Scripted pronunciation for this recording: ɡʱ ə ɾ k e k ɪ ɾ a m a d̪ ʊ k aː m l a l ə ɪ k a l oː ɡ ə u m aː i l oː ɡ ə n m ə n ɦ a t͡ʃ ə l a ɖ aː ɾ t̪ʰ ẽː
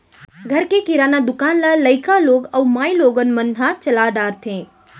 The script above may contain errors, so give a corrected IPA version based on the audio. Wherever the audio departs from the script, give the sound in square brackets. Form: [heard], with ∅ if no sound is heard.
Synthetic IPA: ɡʱ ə ɾ k e k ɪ ɾ a [n] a d̪ ʊ k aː [n] l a l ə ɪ k a l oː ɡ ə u m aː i l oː ɡ ə n m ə n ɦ a t͡ʃ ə l a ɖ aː ɾ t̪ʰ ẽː